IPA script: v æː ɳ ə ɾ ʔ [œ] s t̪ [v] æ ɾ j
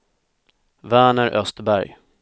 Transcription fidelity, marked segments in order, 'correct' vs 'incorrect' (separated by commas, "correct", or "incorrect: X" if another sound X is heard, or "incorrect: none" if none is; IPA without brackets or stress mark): correct, incorrect: b